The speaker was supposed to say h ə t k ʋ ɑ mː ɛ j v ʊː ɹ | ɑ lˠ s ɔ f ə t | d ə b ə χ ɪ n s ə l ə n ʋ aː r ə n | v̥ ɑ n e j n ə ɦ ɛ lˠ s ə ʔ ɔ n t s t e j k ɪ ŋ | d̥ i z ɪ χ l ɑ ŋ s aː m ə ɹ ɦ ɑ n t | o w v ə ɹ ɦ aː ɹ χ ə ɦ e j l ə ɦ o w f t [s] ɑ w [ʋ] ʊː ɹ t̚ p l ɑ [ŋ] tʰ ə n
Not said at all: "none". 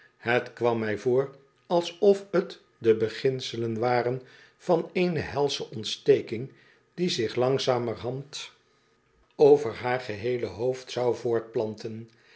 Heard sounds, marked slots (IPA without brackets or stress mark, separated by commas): s, v, n